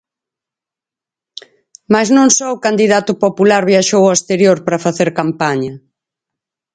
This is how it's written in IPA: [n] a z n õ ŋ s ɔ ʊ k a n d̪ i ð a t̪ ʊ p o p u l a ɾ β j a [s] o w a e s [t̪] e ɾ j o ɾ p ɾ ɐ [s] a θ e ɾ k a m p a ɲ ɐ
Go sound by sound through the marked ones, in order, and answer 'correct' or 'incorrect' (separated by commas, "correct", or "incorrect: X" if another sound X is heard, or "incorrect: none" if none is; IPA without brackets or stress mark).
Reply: incorrect: m, incorrect: ʃ, correct, incorrect: f